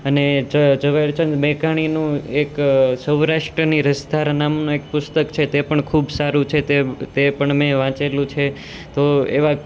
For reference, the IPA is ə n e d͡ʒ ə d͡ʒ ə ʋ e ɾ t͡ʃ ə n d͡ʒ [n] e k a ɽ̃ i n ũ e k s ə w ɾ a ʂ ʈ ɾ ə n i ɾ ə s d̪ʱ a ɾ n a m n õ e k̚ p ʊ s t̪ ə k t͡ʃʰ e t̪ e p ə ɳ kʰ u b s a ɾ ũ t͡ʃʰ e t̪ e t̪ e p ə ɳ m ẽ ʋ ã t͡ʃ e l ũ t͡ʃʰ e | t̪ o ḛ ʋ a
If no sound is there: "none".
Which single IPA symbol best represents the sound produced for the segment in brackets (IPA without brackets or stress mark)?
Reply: m